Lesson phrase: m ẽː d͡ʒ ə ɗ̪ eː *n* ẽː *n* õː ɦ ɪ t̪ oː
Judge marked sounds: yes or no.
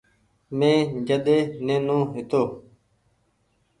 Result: yes, yes

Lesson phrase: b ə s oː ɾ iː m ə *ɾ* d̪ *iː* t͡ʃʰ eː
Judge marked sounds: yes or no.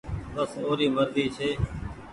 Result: yes, yes

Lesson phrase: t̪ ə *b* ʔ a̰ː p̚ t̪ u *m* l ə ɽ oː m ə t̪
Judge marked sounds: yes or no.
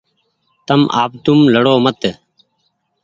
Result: no, yes

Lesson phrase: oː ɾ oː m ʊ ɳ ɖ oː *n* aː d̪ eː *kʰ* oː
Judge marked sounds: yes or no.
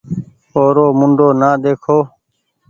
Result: yes, yes

